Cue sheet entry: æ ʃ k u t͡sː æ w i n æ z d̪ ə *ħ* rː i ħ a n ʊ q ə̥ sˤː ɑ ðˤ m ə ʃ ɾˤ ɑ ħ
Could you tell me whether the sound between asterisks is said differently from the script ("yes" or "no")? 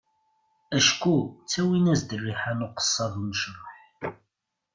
yes